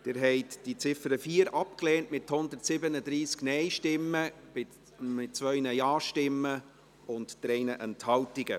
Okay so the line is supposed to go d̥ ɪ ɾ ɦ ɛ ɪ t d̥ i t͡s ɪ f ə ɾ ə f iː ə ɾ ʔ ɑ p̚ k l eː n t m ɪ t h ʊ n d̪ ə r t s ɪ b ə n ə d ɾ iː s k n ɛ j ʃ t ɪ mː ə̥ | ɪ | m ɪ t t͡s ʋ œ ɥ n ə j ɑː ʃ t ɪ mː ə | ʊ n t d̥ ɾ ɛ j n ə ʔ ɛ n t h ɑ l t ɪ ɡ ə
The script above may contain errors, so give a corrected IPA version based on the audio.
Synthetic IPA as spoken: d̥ ɪ ɾ ɦ ɛ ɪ t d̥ i t͡s ɪ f ə ɾ ə f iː ə ɾ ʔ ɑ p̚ k l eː n t m ɪ t h ʊ n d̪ ə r t s ɪ b ə n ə d ɾ iː s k n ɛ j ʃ t ɪ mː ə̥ | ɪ | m ɪ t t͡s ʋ œ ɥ n ə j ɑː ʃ t ɪ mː ə | ʊ n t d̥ ɾ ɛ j n ə ʔ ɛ n t h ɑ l t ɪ ɡ ə